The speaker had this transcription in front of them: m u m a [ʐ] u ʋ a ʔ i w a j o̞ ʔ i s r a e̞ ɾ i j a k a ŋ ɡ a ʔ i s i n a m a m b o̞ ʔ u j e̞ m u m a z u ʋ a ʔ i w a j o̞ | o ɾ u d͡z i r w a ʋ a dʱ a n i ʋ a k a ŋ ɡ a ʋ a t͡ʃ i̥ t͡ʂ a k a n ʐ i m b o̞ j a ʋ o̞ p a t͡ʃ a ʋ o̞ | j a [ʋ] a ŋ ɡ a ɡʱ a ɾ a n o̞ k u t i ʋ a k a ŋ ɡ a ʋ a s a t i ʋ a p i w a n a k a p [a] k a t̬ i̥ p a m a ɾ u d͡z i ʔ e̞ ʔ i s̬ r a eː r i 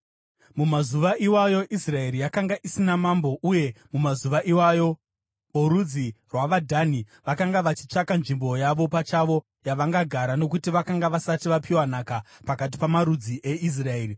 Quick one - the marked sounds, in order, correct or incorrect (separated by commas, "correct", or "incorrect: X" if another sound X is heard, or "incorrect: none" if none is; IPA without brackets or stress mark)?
incorrect: z, correct, correct